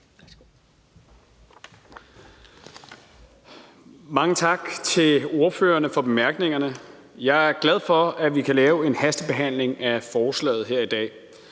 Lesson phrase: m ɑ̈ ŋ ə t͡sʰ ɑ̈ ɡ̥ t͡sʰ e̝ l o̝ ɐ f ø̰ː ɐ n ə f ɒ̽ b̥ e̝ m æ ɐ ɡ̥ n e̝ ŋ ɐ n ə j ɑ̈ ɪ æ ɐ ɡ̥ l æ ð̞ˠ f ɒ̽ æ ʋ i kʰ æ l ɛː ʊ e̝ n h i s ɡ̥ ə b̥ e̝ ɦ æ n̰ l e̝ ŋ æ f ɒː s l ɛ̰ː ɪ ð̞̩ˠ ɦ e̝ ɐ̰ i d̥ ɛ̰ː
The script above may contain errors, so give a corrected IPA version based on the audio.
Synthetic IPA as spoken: m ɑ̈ ŋ ə t͡sʰ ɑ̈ ɡ̥ t͡sʰ e̝ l o̝ ɐ f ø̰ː ɐ n ə f ɒ̽ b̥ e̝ m æ ɐ ɡ̥ n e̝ ŋ ɐ n ə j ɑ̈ ɪ æ ɐ ɡ̥ l æ ð̞ˠ f ɒ̽ æ ʋ i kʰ æ l ɛː ʊ e̝ n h æ s d̥ ə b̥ e̝ ɦ æ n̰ l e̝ ŋ æ f ɒː s l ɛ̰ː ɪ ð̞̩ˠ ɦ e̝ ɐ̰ i d̥ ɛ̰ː